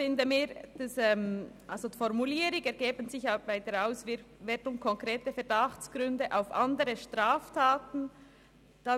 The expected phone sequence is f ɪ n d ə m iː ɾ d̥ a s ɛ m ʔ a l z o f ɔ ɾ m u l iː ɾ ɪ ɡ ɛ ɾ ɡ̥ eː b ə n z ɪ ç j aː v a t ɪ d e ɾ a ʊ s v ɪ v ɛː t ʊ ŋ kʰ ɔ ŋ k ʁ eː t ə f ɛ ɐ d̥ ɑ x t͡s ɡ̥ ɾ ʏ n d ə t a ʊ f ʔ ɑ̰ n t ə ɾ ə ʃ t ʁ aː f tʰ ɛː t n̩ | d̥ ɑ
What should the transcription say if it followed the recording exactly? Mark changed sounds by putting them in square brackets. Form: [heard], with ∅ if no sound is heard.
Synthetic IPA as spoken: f ɪ n d ə m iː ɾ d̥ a s ɛ m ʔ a l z o f ɔ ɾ m u l iː ɾ ɪ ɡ ɛ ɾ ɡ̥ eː b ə n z ɪ ç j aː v a [∅] ɪ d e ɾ a ʊ s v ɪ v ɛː t ʊ ŋ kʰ ɔ ŋ k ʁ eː t ə f ɛ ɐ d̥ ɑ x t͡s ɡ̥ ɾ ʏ n d ə [ʔ] a ʊ f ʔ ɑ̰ n [d] ə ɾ ə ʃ t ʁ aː f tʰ [aː] t n̩ | d̥ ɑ